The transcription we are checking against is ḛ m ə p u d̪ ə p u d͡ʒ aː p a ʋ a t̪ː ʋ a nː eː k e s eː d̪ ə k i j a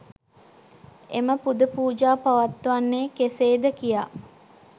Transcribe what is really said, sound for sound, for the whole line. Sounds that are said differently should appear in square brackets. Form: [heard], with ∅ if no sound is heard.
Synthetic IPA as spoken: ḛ m ə p u d̪ ə p [uː] d͡ʒ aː p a ʋ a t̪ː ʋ a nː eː k e s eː d̪ ə k i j a